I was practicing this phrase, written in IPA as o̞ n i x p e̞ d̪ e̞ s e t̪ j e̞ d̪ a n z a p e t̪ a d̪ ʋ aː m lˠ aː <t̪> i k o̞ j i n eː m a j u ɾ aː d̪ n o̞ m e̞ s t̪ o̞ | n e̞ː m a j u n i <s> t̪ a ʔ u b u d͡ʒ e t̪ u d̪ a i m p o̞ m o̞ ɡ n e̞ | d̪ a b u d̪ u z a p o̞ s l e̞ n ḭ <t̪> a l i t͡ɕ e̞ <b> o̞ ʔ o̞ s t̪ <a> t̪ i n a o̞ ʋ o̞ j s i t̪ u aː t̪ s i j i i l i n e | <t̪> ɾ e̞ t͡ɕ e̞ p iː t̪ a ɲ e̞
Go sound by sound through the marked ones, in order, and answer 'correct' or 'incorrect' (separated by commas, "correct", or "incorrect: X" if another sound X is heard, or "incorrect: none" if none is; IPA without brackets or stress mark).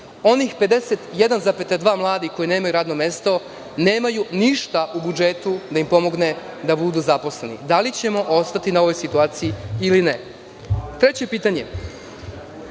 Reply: incorrect: d̪, incorrect: ʃ, incorrect: d̪, incorrect: m, correct, correct